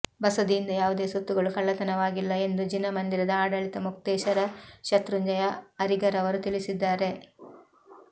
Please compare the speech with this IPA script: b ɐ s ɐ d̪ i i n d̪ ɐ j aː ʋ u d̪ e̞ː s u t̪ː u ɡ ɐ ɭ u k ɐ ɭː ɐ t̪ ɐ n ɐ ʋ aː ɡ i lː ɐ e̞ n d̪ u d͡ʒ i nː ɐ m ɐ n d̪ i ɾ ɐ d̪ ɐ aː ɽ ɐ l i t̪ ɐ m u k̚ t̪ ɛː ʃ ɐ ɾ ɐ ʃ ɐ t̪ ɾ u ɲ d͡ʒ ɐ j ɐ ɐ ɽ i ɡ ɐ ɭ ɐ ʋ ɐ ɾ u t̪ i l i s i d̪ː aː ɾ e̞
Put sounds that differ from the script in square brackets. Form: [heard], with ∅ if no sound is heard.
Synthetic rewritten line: b ɐ s ɐ d̪ i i n d̪ ɐ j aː ʋ u d̪ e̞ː s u t̪ː u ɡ ɐ ɭ u k ɐ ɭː ɐ t̪ ɐ n ɐ ʋ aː ɡ i lː ɐ e̞ n d̪ u d͡ʒ i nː ɐ m ɐ n d̪ i ɾ ɐ d̪ ɐ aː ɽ ɐ [ɭ] i t̪ ɐ m u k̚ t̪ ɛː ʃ ɐ ɾ ɐ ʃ ɐ t̪ ɾ u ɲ d͡ʒ ɐ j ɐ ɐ [ɾ] i ɡ ɐ [ɾ] ɐ ʋ ɐ ɾ u t̪ i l i s i d̪ː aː ɾ e̞

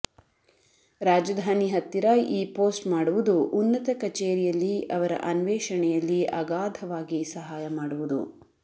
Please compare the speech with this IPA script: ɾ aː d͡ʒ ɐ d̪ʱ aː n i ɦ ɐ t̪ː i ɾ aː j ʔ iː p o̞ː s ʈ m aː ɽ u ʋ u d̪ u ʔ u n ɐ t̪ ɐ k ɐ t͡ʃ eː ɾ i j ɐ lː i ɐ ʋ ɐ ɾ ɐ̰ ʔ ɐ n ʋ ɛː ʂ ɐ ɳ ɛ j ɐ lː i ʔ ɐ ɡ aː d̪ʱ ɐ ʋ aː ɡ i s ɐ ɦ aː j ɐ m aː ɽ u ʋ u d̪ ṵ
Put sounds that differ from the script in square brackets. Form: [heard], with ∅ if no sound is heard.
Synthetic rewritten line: ɾ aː d͡ʒ ɐ d̪ʱ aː n i ɦ ɐ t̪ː i ɾ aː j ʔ iː p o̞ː s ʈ m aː ɽ u ʋ u d̪ u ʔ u [nː] ɐ t̪ ɐ k ɐ t͡ʃ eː ɾ i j ɐ lː i ɐ ʋ ɐ ɾ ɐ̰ ʔ ɐ n ʋ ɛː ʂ ɐ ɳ ɛ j ɐ lː i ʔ ɐ ɡ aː d̪ʱ ɐ ʋ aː ɡ i s ɐ ɦ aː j ɐ m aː ɽ u ʋ u d̪ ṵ

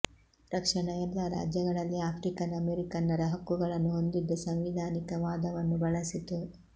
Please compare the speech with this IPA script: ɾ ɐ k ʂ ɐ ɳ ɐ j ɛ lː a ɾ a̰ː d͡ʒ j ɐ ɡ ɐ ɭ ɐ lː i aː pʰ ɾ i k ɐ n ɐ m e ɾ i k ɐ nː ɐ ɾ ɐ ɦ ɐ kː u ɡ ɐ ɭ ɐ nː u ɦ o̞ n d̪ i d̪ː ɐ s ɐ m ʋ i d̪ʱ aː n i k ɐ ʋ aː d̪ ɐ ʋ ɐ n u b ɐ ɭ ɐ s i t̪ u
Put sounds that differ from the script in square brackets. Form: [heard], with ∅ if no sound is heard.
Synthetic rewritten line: ɾ ɐ k ʂ ɐ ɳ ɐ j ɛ lː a ɾ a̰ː d͡ʒ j ɐ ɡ ɐ ɭ ɐ lː i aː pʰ ɾ i k ɐ n ɐ m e ɾ i k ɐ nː ɐ ɾ ɐ ɦ ɐ kː u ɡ ɐ ɭ ɐ nː u ɦ o̞ n d̪ i d̪ː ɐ s ɐ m ʋ i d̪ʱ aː n i k ɐ ʋ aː d̪ ɐ ʋ ɐ [nː] u b ɐ ɭ ɐ s i t̪ u

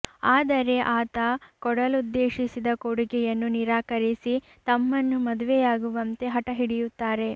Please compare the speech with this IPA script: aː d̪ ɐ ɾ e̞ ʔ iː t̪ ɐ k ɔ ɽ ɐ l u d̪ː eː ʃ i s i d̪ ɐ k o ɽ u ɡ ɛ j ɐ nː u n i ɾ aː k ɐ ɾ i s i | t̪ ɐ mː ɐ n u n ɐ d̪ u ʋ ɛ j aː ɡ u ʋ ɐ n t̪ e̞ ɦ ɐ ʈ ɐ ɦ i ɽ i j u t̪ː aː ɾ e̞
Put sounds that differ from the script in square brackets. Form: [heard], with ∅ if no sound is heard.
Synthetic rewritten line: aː d̪ ɐ ɾ e̞ ʔ [aː] t̪ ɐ k ɔ ɽ ɐ l u d̪ː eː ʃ i s i d̪ ɐ k o ɽ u ɡ ɛ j ɐ nː u n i ɾ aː k ɐ ɾ i s i | t̪ ɐ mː ɐ [nː] u [m] ɐ d̪ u ʋ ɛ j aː ɡ u ʋ ɐ n t̪ e̞ ɦ ɐ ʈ ɐ ɦ i ɽ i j u t̪ː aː ɾ e̞

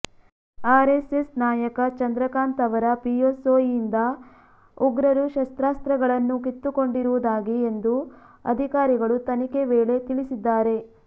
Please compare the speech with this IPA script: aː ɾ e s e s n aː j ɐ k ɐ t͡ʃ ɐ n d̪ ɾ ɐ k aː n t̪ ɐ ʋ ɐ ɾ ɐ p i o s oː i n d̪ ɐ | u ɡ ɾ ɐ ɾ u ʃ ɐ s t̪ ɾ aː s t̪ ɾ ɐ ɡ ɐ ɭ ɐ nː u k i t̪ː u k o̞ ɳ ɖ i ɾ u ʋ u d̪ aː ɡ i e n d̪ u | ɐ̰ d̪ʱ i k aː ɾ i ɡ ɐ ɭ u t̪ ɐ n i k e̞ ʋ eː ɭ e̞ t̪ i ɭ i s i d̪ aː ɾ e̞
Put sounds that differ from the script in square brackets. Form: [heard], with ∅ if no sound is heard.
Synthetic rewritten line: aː ɾ e s e s n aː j ɐ k ɐ t͡ʃ ɐ n d̪ ɾ ɐ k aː n t̪ ɐ ʋ ɐ ɾ ɐ p i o s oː i n d̪ ɐ | u ɡ ɾ ɐ ɾ u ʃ ɐ s t̪ ɾ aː s t̪ ɾ ɐ ɡ ɐ ɭ ɐ nː u k i t̪ː u k o̞ ɳ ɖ i ɾ u ʋ u d̪ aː ɡ i e n d̪ u | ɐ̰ d̪ʱ i k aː ɾ i ɡ ɐ ɭ u t̪ ɐ n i k e̞ ʋ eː ɭ e̞ t̪ i ɭ i s i [d̪ː] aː ɾ e̞

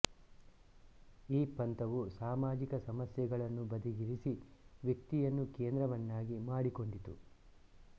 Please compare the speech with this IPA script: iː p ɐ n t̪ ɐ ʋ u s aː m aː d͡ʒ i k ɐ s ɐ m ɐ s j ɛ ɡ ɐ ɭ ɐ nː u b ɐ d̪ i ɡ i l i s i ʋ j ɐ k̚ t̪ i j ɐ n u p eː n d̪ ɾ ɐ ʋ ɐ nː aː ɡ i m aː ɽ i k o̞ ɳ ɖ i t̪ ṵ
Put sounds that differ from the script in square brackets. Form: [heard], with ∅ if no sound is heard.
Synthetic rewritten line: iː p ɐ n t̪ ɐ ʋ u s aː m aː d͡ʒ i k ɐ s ɐ m ɐ s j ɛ ɡ ɐ ɭ ɐ nː u b ɐ d̪ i ɡ i [ɾ] i s i ʋ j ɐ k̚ t̪ i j ɐ [nː] u [k] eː n d̪ ɾ ɐ ʋ ɐ nː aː ɡ i m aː ɽ i k o̞ ɳ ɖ i t̪ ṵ

